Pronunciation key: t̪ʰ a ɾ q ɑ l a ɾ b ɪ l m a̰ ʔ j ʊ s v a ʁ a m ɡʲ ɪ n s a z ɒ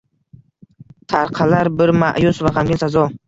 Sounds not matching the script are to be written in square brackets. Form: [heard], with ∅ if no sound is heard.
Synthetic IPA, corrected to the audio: t̪ʰ a ɾ [qʰ] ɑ l a ɾ b ɪ [ɾ] m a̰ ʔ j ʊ s v a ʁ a m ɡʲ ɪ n s a z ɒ